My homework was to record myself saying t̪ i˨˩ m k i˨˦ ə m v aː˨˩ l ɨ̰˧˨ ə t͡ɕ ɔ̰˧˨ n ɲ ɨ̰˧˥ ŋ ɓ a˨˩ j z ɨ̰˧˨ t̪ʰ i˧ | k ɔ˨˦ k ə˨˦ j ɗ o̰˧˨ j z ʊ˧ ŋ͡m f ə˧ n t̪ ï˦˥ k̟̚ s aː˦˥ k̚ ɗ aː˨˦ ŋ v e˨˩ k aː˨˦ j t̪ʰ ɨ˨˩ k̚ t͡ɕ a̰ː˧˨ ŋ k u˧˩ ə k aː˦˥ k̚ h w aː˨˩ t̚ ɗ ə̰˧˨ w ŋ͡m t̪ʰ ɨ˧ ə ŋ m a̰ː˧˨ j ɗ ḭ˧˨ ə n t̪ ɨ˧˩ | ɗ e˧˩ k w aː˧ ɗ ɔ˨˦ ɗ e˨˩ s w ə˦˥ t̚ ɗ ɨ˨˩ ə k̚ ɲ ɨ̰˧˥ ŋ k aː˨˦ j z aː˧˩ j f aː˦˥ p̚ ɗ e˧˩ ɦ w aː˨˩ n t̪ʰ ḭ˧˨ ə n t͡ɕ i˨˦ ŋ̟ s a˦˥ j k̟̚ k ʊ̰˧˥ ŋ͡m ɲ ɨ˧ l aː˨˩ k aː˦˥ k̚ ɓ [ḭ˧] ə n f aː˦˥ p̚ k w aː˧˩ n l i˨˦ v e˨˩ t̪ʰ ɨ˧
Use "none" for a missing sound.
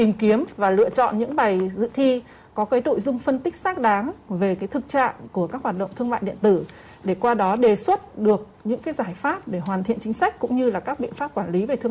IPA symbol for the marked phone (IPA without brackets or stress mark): ḭ˧